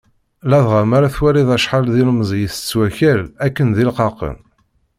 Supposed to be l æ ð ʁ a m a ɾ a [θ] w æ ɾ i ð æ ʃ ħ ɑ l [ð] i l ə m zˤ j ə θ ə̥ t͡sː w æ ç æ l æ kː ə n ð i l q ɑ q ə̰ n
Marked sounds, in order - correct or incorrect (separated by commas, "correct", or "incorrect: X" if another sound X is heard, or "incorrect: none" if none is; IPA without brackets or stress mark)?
correct, correct